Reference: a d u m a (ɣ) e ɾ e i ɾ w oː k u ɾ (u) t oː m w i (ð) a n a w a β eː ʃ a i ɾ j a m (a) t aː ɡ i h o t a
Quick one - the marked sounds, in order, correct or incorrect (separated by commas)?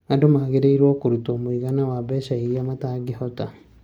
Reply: correct, correct, incorrect, correct